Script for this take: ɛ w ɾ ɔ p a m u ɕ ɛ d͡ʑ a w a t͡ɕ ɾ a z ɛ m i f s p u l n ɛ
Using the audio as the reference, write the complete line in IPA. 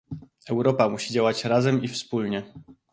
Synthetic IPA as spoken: ɛ w ɾ ɔ p a m u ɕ i d͡ʑ a w a t͡ɕ ɾ a z ɛ m i f s p u l ɲ ɛ